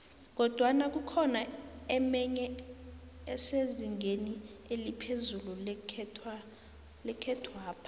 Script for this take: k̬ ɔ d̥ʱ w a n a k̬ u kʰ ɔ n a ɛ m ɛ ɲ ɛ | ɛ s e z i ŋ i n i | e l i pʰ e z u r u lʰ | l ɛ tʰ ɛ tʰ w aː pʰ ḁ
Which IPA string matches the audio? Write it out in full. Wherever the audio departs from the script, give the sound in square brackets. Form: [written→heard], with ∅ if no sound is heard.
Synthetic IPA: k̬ ɔ d̥ʱ w a n a k̬ u kʰ ɔ n a ɛ m ɛ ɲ ɛ | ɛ s e z i ŋ [i→e] n i | e l i pʰ e z u [r→l] u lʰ | l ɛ [tʰ→kʰ] ɛ tʰ w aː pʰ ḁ